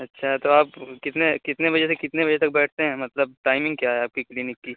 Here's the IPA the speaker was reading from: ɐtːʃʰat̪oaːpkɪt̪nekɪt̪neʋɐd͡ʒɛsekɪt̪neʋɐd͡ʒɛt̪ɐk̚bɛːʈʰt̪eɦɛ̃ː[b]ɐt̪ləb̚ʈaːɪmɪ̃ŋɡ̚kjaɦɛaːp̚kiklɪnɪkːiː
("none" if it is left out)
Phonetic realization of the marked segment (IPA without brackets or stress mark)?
m